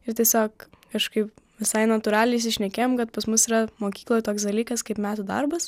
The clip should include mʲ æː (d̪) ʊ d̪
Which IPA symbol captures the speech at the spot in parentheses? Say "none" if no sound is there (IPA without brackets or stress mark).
t̪